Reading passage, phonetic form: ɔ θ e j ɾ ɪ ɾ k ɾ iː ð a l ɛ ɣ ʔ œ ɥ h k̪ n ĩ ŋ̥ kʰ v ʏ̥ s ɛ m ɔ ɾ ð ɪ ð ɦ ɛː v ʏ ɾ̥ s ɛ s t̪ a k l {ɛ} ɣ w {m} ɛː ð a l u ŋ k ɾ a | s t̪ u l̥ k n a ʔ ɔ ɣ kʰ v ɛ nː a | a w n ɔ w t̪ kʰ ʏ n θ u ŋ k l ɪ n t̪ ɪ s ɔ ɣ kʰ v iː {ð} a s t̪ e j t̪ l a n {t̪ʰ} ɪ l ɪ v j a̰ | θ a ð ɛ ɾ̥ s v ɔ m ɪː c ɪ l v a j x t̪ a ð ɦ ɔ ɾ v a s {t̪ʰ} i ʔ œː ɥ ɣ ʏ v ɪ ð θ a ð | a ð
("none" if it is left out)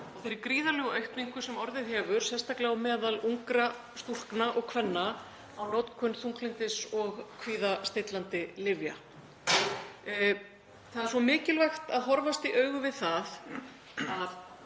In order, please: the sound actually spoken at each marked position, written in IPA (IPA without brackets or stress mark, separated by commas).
a, m, ð, t̪, t̪